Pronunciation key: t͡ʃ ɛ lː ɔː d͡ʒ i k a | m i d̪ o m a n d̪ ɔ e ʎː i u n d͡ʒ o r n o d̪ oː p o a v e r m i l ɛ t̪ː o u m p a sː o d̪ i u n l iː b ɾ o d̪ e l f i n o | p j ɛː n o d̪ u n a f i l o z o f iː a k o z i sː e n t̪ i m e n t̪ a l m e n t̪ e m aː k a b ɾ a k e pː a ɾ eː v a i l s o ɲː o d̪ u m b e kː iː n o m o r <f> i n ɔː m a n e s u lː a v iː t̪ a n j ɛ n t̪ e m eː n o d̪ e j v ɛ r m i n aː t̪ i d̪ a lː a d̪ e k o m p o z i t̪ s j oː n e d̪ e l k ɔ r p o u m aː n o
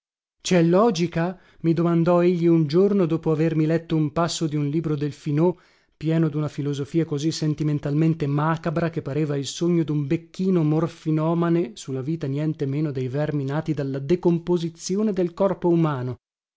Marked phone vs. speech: correct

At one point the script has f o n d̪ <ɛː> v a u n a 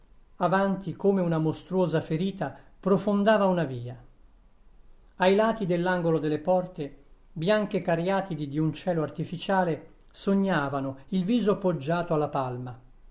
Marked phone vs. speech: incorrect: aː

